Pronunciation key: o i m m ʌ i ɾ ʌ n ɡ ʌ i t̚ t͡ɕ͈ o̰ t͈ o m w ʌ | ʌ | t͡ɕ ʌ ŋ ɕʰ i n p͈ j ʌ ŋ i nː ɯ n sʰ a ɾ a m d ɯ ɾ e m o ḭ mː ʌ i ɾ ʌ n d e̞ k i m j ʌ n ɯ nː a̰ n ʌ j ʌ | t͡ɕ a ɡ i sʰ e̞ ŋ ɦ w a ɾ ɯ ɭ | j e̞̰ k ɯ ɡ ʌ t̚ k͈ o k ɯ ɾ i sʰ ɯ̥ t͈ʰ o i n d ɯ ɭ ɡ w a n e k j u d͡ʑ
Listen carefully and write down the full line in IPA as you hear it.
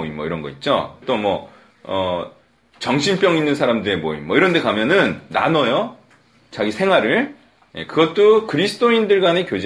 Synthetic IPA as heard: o i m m ʌ i ɾ ʌ n ɡ ʌ i t̚ t͡ɕ͈ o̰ t͈ o m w ʌ | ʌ | t͡ɕ ʌ ŋ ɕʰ i n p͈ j ʌ ŋ i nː ɯ n sʰ a ɾ a m d ɯ ɾ e m o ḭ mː ʌ i ɾ ʌ n d e̞ k a m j ʌ n ɯ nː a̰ n ʌ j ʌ | t͡ɕ a ɡ i sʰ e̞ ŋ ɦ w a ɾ ɯ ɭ | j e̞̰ k ɯ ɡ ʌ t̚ t͈ o k ɯ ɾ i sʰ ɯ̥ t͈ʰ o i n d ɯ ɭ ɡ w a n e k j o d͡ʑ